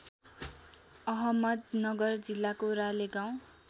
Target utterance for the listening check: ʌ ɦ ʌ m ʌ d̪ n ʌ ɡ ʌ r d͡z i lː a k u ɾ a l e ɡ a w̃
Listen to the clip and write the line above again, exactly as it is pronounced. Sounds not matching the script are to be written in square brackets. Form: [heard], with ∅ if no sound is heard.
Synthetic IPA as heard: ʌ ɦ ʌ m ʌ d̪ n ʌ ɡ ʌ r d͡z i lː a k [o] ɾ a l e ɡ a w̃